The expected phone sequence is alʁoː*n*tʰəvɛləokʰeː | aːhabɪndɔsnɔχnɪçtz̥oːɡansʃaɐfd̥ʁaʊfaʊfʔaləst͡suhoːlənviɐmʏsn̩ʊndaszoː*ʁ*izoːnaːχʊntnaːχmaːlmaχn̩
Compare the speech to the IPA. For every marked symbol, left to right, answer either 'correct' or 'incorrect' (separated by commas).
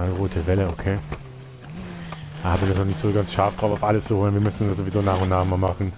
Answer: incorrect, incorrect